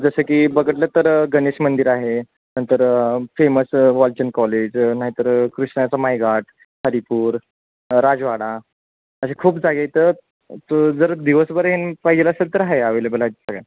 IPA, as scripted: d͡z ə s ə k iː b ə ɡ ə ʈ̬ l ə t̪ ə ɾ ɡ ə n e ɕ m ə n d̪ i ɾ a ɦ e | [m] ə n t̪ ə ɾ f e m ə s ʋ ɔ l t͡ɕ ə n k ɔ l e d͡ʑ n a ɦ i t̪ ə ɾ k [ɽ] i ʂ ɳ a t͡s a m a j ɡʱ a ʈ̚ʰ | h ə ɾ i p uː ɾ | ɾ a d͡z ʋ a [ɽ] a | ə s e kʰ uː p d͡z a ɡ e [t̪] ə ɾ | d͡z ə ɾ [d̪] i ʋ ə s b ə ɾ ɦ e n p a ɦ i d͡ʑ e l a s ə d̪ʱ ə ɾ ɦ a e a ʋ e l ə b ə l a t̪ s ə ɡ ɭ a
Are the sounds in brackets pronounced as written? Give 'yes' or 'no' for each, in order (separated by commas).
no, no, yes, yes, yes